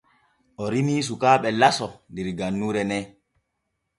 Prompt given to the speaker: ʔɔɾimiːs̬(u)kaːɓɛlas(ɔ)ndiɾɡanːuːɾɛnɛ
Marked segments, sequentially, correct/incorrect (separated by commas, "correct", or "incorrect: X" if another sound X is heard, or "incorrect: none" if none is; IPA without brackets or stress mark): correct, correct